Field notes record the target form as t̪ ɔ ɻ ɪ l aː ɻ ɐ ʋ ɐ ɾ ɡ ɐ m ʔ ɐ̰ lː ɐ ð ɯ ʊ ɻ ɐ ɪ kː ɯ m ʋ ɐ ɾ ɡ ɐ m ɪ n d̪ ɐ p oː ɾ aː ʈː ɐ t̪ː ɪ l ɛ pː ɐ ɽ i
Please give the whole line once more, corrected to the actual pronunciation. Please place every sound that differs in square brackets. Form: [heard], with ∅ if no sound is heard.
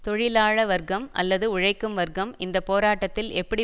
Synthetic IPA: t̪ ɔ ɻ ɪ l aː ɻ ɐ ʋ ɐ ɾ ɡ ɐ m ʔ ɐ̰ lː ɐ ð ɯ ʊ ɻ ɐ ɪ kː ɯ m ʋ ɐ ɾ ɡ ɐ m ɪ n d̪ ɐ p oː ɾ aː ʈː ɐ t̪ː ɪ l ɛ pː ɐ ɽ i